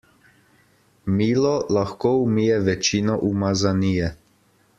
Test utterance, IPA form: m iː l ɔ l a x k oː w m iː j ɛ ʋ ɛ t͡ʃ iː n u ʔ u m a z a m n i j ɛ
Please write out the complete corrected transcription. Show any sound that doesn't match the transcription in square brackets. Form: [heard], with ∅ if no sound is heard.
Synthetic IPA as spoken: m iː l ɔ l a x k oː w m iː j ɛ ʋ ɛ t͡ʃ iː n [ɔ] ʔ u m a z a [∅] n i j ɛ